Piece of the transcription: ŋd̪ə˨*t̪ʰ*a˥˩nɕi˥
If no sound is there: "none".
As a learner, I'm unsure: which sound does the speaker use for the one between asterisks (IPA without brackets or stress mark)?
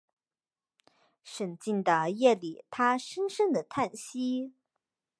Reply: t̪ʰ